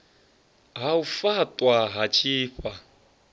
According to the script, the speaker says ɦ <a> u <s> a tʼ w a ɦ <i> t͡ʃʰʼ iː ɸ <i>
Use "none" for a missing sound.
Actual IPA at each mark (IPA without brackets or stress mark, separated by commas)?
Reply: a, f, a, a